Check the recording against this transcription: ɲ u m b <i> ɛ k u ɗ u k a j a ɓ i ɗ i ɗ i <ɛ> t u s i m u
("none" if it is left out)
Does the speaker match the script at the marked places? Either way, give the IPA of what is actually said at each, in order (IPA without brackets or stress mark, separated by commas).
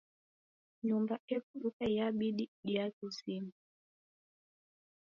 a, a